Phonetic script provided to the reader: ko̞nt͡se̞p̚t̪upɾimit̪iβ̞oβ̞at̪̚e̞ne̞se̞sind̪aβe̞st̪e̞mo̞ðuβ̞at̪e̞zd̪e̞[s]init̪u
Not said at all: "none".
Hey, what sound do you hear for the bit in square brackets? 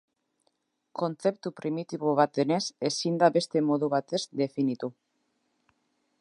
f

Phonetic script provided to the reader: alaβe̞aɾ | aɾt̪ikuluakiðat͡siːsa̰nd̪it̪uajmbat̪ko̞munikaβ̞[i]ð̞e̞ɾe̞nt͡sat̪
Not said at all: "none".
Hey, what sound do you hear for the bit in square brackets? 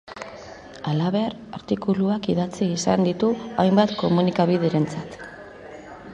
i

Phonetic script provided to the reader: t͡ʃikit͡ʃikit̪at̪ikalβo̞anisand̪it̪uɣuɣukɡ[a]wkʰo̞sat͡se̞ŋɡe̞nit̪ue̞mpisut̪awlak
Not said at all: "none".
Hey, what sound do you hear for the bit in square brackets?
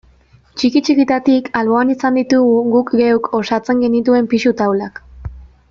e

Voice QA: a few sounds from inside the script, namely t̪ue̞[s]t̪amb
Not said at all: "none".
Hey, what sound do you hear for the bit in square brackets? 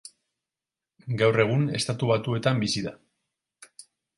none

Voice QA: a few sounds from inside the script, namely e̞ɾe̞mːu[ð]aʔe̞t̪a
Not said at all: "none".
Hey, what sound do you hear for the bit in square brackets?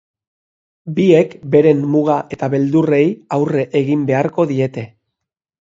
ɣ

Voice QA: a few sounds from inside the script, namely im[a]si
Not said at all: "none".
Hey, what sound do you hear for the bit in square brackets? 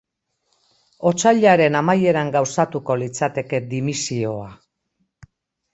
i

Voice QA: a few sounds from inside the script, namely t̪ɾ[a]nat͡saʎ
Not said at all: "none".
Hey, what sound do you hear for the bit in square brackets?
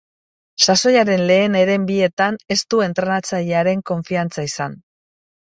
e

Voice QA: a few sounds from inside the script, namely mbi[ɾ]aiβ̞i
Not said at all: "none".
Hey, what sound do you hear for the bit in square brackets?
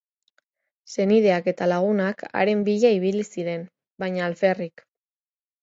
ʎ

